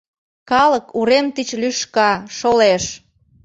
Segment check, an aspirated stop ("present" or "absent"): absent